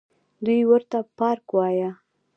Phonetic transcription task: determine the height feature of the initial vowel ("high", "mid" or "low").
high